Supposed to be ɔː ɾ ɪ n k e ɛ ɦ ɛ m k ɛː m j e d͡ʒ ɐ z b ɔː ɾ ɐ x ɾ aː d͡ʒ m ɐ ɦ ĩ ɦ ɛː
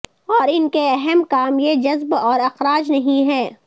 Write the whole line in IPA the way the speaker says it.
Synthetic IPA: ɔː ɾ ɪ n k e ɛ ɦ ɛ m k aː m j e d͡ʒ ɐ z b ɔː ɾ ɐ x ɾ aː d͡ʒ n ɐ ɦ ĩ ɦ ɛː